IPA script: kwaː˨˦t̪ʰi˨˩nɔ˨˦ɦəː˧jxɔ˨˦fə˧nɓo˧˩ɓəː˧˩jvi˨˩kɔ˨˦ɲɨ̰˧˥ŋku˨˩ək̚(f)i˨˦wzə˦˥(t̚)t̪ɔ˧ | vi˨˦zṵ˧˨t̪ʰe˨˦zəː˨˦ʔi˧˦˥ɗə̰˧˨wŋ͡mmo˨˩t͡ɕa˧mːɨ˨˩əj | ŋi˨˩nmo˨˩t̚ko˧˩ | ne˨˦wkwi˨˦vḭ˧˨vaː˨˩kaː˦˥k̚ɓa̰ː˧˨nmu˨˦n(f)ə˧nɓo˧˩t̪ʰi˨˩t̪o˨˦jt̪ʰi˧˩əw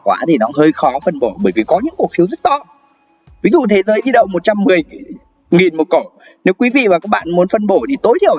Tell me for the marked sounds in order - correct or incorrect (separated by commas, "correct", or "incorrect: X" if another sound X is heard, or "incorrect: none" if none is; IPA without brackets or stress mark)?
correct, correct, correct